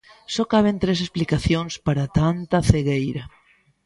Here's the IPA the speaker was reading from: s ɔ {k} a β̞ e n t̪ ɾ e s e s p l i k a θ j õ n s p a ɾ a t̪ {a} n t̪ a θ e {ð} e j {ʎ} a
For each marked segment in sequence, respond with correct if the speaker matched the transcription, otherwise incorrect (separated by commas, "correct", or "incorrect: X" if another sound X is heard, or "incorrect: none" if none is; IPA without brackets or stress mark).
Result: correct, correct, incorrect: ɣ, incorrect: ɾ